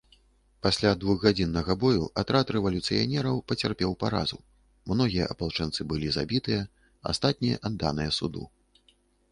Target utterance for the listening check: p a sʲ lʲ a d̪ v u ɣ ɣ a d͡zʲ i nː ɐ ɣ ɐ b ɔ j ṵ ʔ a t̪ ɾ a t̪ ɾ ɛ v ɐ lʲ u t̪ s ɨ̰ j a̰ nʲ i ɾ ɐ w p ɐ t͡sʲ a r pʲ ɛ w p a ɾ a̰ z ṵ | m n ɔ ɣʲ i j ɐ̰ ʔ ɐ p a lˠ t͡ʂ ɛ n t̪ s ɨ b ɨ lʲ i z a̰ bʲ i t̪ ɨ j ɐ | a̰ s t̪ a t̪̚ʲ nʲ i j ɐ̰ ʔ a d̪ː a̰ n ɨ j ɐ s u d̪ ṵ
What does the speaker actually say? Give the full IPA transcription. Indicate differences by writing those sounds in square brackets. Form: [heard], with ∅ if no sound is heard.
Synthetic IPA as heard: p a sʲ lʲ a d̪ v u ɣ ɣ a d͡zʲ i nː ɐ ɣ ɐ b ɔ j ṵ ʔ a t̪ ɾ a t̪ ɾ ɛ v ɐ lʲ u t̪ s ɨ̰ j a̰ nʲ [ɛ] ɾ ɐ w p ɐ t͡sʲ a r pʲ ɛ w p a ɾ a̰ z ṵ | m n ɔ ɣʲ i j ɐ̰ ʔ ɐ p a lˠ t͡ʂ ɛ n t̪ s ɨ b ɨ lʲ i z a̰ bʲ i t̪ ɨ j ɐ | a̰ s t̪ a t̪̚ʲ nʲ i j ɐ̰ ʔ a d̪ː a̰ n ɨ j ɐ s u d̪ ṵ